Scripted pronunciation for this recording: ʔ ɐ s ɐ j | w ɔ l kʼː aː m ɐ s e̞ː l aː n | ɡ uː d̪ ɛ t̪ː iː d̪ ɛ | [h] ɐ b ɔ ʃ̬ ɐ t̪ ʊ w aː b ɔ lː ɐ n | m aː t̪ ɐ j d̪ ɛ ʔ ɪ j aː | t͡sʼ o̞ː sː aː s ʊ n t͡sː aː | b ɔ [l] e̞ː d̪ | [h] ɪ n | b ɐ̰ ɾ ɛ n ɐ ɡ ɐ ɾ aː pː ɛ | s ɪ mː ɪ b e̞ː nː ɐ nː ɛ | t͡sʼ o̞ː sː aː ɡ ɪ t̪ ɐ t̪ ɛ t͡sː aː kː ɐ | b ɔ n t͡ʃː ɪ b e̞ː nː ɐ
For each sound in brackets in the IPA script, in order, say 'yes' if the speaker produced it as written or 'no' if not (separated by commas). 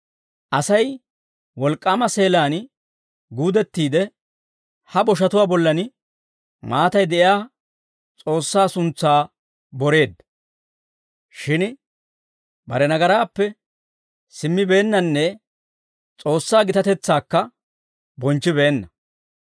yes, no, no